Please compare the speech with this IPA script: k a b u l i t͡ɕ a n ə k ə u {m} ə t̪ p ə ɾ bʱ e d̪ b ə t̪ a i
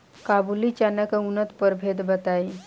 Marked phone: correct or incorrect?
incorrect